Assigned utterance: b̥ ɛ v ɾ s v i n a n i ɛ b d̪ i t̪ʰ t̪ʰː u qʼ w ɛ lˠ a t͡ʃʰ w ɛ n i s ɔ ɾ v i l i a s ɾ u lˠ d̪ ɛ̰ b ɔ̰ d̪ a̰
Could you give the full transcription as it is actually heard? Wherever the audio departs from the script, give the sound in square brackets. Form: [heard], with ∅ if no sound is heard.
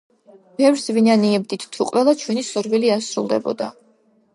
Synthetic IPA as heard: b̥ ɛ v ɾ s v i n a n i ɛ b d̪ i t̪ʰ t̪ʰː u qʼ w ɛ lˠ a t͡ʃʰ w ɛ n i s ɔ ɾ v i l i a s ɾ u lˠ d̪ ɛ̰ b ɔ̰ d̪ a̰